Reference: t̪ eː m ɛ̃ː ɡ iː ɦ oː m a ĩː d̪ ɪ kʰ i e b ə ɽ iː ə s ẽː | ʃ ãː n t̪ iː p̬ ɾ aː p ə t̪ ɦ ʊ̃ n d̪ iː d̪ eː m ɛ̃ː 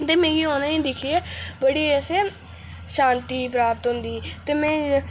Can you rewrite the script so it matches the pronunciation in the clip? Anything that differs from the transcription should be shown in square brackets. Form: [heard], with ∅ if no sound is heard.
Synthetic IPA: t̪ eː m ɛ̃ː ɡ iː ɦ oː [n] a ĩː d̪ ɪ kʰ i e b ə ɽ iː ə s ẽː | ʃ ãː n t̪ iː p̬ ɾ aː p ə t̪ ɦ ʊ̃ n d̪ iː [t̪] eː m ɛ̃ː